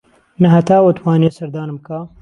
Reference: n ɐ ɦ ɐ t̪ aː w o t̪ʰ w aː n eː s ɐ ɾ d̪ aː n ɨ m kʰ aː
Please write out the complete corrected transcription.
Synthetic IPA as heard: n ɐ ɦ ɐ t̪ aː w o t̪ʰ w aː n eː s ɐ ɾ d̪ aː n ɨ m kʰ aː